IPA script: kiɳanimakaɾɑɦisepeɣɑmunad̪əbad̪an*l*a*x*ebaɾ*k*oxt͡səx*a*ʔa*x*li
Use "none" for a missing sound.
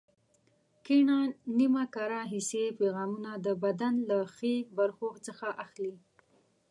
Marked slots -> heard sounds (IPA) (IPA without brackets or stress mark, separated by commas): l, x, x, a, x